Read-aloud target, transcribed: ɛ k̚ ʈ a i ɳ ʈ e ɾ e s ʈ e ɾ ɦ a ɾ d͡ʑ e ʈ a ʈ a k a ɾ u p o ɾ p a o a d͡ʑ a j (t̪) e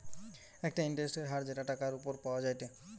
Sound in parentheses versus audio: correct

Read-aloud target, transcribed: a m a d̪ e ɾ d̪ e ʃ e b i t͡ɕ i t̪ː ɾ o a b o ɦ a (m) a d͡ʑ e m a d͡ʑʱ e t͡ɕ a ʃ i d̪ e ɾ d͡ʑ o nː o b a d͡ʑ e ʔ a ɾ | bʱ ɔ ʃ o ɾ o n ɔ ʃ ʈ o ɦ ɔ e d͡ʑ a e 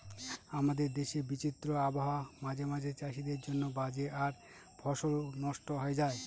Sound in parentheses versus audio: correct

